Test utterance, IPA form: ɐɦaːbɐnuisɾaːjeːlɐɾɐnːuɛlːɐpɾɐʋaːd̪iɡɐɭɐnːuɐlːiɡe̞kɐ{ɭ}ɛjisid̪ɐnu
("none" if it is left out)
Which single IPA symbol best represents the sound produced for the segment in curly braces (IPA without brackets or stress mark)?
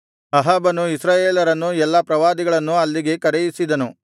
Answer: ɾ